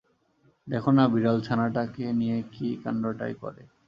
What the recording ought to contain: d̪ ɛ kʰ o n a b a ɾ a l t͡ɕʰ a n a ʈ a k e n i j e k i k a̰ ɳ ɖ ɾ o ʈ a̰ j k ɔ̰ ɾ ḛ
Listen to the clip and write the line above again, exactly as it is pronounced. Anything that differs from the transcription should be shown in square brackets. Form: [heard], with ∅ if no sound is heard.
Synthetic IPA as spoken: d̪ ɛ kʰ o n a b [i] ɾ a l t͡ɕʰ a n a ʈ a k e n i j e k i k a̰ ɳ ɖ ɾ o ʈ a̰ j k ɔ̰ ɾ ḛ